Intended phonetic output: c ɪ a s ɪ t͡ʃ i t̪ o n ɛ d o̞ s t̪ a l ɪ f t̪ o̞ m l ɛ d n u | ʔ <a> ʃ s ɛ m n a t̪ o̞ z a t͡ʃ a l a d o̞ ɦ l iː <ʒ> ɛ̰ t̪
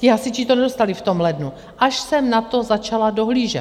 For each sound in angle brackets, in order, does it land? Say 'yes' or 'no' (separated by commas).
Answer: yes, yes